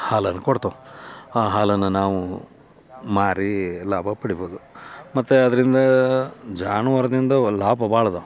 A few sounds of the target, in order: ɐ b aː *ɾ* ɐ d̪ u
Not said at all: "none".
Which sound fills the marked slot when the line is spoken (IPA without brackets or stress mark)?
ɭ